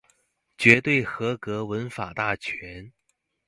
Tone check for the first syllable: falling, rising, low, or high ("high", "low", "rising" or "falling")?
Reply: rising